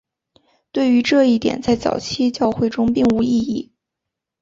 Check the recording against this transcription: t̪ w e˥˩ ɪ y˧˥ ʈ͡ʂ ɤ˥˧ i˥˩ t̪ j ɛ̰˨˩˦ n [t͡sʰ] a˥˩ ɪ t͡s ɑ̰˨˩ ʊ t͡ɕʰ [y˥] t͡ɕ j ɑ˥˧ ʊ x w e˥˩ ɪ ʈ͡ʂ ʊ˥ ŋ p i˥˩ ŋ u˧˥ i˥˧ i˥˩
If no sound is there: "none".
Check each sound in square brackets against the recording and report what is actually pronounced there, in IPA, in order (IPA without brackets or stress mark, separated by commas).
t͡s, i˥